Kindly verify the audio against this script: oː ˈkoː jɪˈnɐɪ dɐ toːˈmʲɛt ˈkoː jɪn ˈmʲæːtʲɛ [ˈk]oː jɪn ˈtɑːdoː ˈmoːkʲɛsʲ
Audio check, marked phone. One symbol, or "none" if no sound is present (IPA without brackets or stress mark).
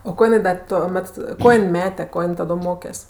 k